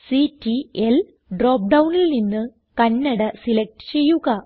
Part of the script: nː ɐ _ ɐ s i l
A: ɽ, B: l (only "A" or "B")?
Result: A